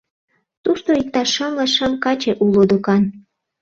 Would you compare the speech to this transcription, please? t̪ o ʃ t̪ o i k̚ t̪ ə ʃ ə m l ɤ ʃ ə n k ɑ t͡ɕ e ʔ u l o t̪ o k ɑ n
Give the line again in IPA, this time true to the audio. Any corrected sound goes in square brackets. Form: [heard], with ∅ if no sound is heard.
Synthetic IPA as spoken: t̪ [u] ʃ t̪ o i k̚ t̪ [ɑ] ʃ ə m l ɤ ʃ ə [m] k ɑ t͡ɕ e ʔ u l o [d̪] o k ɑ n